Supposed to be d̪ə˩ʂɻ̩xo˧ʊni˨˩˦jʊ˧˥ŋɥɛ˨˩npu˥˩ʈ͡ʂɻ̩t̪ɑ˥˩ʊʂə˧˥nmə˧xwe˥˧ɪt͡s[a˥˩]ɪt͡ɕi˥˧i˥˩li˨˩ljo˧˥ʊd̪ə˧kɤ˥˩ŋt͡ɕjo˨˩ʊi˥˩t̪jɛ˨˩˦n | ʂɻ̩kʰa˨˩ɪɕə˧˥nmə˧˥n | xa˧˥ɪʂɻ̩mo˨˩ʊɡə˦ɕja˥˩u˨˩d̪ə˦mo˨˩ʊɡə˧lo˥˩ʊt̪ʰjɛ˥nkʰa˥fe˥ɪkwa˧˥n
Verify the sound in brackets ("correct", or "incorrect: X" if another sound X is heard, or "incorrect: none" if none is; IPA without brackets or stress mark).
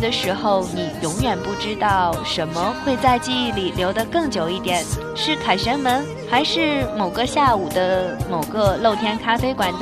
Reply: incorrect: a˥˧